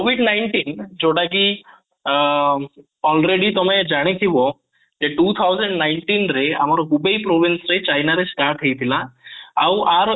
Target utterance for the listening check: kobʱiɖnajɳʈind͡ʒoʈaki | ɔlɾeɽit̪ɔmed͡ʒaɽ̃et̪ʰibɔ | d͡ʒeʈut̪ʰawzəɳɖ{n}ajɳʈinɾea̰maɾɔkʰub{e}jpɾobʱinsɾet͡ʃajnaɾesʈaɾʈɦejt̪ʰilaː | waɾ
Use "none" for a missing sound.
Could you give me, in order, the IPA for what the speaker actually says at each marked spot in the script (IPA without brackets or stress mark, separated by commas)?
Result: n, e